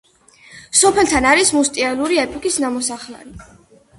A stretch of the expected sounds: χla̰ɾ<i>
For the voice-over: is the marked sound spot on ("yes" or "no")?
yes